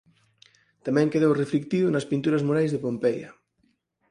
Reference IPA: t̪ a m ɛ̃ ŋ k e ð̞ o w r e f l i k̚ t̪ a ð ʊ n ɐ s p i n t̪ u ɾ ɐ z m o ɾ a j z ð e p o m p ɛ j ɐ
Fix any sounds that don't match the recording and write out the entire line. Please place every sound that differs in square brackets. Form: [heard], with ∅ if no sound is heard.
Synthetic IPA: t̪ a m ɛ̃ ŋ k e ð̞ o w r e f l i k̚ t̪ [i] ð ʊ n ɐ s p i n t̪ u ɾ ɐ z m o ɾ a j z ð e p o m p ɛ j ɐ